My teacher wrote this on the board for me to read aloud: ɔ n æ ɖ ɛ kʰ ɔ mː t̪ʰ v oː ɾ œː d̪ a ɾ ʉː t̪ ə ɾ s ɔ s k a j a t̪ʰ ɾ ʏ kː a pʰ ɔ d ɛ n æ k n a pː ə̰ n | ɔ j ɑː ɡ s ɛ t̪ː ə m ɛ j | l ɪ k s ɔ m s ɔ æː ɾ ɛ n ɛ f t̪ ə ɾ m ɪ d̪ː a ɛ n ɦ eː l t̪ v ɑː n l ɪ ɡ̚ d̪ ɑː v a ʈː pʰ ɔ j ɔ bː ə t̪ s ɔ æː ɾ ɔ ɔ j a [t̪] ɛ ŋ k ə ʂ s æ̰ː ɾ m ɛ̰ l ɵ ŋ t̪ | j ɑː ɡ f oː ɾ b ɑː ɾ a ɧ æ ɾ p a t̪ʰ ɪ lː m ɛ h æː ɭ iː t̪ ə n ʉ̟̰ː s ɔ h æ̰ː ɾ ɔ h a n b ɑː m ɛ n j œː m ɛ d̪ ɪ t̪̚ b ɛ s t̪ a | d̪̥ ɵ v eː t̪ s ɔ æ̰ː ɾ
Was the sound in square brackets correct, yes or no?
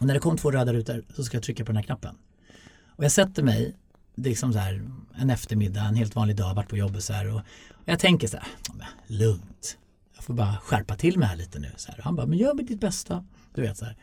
no